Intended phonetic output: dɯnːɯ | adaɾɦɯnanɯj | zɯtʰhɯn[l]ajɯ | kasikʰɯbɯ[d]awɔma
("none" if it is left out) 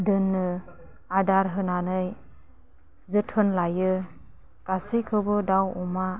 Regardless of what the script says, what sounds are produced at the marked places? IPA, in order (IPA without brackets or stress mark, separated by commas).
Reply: l, d